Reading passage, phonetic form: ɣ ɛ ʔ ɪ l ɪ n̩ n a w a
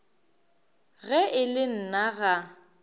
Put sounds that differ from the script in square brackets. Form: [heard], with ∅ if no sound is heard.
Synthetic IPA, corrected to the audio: ɣ ɛ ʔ ɪ l ɪ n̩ n a [ɣ] a

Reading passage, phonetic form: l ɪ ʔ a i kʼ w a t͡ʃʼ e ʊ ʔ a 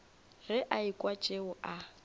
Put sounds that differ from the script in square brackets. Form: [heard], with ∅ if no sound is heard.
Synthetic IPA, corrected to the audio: [r] ɪ ʔ a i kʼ w a t͡ʃʼ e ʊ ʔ a

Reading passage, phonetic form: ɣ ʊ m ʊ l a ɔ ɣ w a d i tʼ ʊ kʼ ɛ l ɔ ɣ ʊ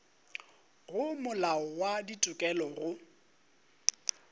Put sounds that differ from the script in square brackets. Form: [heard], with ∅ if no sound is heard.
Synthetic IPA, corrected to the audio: ɣ ʊ m ʊ l a ɔ [∅] w a d i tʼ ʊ kʼ ɛ l ɔ ɣ ʊ

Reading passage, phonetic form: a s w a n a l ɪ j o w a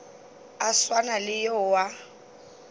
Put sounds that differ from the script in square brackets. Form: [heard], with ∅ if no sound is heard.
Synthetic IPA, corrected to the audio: a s w a n a l ɪ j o w a

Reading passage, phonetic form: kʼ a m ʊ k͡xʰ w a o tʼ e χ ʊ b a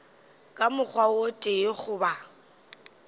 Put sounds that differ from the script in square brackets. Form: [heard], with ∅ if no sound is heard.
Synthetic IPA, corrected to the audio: kʼ a m ʊ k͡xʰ w a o tʼ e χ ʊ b a

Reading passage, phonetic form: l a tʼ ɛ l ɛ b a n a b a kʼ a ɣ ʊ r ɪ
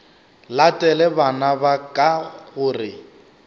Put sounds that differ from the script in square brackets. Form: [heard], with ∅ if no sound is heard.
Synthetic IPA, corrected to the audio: l a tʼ ɛ l ɛ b a n a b a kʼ a ɣ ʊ r ɪ

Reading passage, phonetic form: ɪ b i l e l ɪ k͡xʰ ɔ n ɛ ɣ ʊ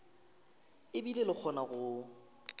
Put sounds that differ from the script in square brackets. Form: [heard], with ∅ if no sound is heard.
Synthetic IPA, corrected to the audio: ɪ b i l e l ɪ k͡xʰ ɔ n [a] ɣ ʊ

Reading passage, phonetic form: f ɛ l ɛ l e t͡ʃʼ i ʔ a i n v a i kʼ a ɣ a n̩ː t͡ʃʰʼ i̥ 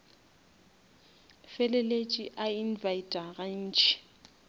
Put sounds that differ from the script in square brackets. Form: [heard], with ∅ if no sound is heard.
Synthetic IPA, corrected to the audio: f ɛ l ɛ l e t͡ʃʼ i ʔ a i n v a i [tʼ] a ɣ a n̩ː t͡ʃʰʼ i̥

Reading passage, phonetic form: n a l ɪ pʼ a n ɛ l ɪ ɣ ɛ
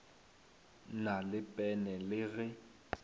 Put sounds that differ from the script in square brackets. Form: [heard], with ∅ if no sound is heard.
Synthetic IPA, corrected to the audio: n a l ɪ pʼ [ɛ] n ɛ l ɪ ɣ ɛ

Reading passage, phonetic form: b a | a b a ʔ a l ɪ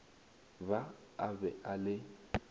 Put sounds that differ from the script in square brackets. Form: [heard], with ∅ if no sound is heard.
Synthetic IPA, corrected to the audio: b a | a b [ɛ] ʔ a l ɪ

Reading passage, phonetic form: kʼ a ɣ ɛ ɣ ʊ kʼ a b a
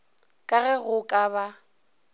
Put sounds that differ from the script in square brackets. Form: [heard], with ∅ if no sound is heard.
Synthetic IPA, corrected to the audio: kʼ a ɣ ɛ ɣ ʊ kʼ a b a

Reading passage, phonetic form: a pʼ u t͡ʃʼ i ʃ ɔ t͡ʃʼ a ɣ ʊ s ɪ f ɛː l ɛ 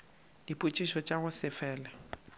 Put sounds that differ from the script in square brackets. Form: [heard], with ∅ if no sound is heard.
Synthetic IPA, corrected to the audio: [i] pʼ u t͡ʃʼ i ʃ ɔ t͡ʃʼ a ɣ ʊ s ɪ f ɛː l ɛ

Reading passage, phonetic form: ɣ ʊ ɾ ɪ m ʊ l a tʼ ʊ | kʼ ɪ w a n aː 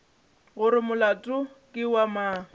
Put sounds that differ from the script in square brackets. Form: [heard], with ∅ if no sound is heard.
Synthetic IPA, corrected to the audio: ɣ ʊ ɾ ɪ m ʊ l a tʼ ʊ | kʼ ɪ w a [m] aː

